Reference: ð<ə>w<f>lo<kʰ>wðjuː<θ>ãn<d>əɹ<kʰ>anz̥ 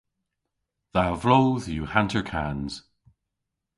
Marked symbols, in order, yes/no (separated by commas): no, no, no, no, no, yes